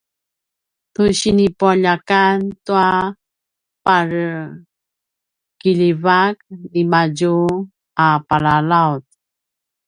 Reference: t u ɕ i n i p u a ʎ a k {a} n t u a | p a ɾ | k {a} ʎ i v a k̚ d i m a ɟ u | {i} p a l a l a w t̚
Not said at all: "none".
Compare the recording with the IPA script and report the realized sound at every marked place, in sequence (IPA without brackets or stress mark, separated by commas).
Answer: a, i, a